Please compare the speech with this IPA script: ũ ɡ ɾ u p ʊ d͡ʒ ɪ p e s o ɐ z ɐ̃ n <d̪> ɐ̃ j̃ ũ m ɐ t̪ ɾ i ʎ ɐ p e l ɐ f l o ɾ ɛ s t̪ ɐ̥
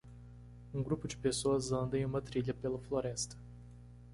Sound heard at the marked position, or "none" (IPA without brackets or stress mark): d̪